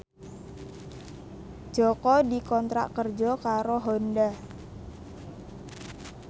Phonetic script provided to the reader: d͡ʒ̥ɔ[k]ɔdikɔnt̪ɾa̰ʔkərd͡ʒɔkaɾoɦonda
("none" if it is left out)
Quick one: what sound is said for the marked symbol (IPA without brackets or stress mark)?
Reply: k